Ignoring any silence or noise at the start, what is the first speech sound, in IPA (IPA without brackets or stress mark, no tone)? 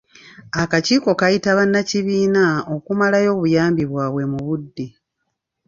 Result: a